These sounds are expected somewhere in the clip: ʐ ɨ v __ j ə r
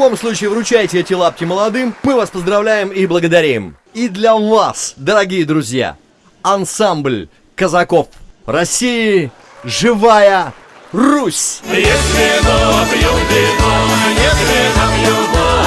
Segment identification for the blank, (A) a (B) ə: A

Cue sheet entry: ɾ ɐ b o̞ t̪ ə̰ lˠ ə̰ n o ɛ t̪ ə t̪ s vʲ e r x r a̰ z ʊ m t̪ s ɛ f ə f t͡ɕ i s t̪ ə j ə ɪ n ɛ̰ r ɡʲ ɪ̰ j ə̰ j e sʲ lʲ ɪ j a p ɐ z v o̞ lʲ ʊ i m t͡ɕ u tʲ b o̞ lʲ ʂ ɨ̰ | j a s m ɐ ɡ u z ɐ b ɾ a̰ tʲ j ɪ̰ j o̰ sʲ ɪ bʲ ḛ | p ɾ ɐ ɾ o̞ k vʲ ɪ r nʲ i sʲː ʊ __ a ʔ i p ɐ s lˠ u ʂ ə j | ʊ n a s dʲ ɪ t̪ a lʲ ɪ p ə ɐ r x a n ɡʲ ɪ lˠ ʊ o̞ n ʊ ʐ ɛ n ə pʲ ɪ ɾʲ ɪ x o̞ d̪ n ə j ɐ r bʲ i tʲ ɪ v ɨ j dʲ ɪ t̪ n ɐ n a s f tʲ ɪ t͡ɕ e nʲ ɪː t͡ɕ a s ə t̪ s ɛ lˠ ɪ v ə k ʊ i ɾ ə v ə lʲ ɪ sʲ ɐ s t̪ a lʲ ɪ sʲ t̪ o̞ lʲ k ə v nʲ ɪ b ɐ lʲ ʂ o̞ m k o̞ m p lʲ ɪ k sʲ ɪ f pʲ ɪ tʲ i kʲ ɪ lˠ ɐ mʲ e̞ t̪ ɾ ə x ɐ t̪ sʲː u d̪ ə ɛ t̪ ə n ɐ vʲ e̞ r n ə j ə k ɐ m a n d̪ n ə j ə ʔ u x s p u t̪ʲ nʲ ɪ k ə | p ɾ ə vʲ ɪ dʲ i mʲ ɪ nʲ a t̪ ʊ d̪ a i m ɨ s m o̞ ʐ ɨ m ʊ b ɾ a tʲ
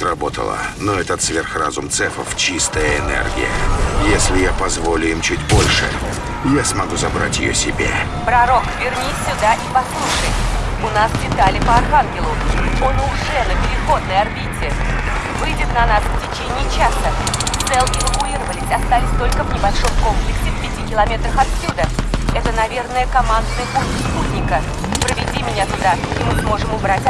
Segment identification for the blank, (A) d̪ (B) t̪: A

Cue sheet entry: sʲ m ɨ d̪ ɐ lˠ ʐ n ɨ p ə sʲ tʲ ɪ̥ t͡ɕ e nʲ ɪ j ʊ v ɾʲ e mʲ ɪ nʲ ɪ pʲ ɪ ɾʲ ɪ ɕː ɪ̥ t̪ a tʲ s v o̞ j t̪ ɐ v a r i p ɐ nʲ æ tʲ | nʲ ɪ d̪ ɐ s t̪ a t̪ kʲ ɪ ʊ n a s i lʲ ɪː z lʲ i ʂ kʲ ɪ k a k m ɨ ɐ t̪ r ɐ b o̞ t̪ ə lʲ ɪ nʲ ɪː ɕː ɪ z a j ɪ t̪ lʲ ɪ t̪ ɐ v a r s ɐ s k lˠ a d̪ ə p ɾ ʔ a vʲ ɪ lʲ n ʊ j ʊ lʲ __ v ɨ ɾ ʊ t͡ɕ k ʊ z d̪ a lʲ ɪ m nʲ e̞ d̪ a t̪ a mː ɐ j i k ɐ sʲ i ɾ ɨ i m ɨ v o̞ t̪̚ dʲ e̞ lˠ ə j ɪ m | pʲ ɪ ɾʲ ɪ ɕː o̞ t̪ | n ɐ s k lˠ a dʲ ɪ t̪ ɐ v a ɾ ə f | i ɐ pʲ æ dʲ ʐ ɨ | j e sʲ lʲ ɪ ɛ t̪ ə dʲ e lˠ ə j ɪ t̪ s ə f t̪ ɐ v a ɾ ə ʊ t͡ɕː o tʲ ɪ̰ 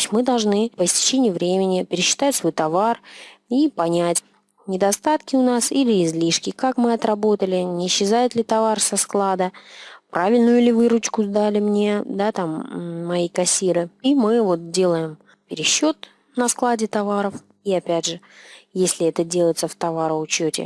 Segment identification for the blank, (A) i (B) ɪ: B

